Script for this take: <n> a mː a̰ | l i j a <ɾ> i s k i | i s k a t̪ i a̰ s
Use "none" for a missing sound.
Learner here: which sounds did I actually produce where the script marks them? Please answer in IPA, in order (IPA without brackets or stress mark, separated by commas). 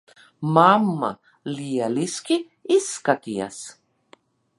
m, l